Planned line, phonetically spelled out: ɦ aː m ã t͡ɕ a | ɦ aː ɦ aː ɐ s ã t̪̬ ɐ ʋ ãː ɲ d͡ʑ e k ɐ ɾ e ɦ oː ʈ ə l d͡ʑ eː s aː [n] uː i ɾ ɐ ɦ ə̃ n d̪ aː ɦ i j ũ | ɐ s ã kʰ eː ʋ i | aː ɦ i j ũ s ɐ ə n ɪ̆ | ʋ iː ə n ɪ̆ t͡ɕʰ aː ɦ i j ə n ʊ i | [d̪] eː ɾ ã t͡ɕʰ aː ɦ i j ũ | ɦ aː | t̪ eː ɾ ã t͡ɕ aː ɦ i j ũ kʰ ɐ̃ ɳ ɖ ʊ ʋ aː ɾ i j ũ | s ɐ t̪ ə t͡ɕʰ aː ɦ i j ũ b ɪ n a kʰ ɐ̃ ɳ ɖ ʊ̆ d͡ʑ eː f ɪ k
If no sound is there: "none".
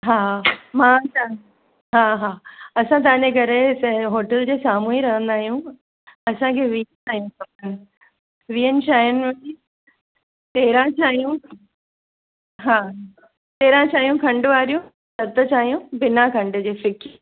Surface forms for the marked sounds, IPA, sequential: m, t̪

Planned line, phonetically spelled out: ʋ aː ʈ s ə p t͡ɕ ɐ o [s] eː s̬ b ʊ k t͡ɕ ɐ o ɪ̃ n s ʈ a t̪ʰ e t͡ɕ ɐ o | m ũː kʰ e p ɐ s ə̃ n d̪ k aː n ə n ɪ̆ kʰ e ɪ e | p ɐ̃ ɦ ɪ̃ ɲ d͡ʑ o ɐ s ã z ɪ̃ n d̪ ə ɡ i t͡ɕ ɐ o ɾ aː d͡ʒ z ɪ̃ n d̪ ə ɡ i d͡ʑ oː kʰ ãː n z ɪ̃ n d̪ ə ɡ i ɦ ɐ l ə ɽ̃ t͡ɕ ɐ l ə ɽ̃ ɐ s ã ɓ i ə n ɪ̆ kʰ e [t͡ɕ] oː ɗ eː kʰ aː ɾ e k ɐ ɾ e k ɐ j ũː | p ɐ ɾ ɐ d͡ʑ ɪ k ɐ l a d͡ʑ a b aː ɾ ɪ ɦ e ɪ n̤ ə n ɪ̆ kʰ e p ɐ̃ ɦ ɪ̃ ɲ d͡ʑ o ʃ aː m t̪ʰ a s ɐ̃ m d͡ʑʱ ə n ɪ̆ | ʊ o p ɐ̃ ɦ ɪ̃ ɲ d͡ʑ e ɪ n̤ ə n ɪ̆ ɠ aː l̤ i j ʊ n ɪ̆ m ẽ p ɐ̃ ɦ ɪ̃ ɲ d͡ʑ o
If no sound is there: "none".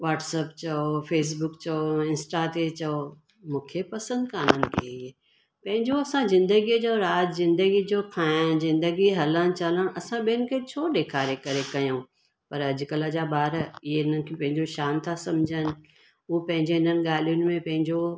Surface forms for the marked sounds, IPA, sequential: f, t͡ɕʰ

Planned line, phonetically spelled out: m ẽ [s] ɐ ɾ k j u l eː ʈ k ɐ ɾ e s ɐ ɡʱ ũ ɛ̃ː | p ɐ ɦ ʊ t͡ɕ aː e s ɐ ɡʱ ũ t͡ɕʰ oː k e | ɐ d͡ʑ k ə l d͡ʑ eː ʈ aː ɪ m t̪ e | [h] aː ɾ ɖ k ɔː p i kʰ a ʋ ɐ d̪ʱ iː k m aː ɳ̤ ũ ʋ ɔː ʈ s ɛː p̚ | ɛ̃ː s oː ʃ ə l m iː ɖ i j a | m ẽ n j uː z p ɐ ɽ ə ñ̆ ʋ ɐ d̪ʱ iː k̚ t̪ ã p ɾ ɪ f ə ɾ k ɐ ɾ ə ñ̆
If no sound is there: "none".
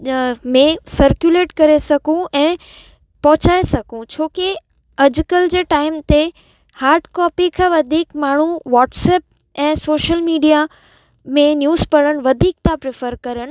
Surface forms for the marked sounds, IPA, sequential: s, h

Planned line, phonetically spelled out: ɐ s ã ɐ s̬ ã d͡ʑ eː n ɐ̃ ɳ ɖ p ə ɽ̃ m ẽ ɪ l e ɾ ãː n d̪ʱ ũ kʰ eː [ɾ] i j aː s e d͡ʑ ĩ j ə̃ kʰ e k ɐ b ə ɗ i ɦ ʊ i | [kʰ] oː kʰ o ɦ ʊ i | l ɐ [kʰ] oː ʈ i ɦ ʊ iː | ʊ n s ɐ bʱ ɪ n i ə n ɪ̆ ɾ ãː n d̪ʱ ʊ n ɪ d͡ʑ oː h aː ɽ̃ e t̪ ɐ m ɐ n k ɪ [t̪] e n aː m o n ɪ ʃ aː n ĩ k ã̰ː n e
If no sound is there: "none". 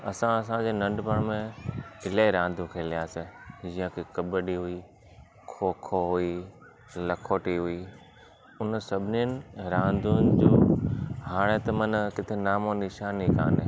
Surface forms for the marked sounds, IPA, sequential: l, kʰ, kʰ, t̪ʰ

